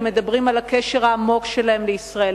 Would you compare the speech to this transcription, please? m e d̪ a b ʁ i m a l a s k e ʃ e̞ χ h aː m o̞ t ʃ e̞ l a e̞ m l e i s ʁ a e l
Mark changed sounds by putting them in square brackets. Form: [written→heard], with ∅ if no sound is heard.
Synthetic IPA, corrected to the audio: m e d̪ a b ʁ i m a l a [s→∅] k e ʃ e̞ [χ→ʁ] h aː m o̞ [t→k] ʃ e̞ l a e̞ m l e i s ʁ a e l